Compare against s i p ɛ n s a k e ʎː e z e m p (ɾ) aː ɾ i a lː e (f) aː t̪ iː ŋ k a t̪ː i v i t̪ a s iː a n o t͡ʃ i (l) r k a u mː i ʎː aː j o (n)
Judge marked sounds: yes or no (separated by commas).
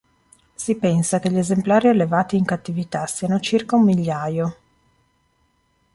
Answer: no, no, no, no